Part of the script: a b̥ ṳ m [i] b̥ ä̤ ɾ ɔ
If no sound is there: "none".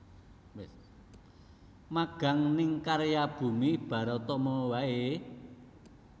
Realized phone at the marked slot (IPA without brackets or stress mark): i